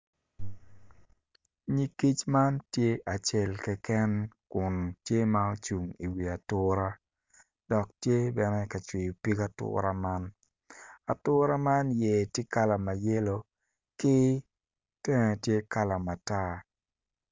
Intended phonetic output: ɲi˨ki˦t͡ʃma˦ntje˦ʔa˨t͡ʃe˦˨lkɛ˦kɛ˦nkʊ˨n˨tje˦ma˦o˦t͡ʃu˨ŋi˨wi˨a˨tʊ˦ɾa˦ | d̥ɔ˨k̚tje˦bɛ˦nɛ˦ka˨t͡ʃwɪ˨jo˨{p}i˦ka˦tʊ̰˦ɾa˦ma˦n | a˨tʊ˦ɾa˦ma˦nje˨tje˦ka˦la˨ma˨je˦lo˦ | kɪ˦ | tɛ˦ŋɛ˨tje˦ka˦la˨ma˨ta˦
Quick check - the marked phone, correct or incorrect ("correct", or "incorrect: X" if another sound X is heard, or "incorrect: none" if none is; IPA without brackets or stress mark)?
correct